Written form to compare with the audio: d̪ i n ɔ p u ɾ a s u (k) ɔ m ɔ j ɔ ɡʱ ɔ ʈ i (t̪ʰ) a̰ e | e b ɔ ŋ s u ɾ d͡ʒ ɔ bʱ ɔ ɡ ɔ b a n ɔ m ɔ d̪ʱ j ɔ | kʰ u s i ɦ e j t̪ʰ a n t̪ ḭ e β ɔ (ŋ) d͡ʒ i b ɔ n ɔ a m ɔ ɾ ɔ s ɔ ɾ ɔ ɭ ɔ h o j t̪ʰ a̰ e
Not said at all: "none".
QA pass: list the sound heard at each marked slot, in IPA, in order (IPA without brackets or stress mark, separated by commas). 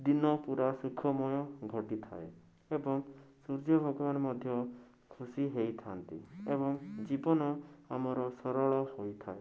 kʰ, t̪ʰ, ŋ